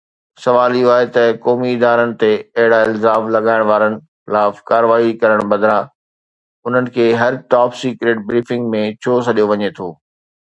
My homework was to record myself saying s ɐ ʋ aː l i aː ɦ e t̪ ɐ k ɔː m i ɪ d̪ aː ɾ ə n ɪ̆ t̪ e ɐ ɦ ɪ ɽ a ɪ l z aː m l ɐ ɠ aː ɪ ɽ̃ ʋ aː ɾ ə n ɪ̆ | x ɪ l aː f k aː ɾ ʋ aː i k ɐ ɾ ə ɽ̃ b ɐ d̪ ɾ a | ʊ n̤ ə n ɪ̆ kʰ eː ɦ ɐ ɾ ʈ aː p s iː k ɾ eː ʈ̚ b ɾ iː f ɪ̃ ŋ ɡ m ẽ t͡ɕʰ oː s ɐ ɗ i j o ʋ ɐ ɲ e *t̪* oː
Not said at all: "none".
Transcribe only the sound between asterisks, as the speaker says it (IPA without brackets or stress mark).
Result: t̪ʰ